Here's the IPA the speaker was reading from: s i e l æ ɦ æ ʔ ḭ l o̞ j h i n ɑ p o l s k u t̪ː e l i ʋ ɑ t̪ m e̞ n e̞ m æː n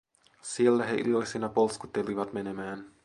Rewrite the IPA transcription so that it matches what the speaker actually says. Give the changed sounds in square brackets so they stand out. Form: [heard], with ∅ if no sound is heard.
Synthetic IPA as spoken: s i e [lː] æ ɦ [e] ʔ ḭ l o̞ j [s] i n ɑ p o l s k u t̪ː e l i ʋ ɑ t̪ m e̞ n e̞ m æː n